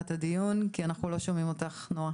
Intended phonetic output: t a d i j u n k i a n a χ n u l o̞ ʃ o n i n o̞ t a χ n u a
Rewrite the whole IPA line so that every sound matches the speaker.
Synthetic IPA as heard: t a d i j u n k i a n a χ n u l o̞ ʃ o m i m o̞ t a χ n o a